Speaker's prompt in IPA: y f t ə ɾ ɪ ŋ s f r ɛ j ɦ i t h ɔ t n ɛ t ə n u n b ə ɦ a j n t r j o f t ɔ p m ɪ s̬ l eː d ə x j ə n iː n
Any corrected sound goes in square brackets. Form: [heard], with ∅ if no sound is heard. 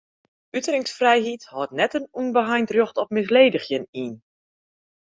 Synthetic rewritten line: y [∅] t ə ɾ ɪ ŋ s f r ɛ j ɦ i t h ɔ t n ɛ t ə n u n b ə ɦ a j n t r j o [x] t ɔ p m ɪ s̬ l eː d ə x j ə n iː n